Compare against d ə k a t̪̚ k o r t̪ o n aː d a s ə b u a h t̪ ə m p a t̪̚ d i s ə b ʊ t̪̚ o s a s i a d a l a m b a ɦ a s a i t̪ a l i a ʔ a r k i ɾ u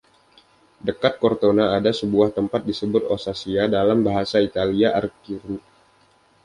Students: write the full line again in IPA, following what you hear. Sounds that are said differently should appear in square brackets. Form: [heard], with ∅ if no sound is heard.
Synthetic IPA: d ə k a t̪̚ k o r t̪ o n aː d a s ə b u a h t̪ ə m p a t̪̚ d i s ə b ʊ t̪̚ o s a s i a d a l a m b a ɦ a s a i t̪ a l i a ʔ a r k i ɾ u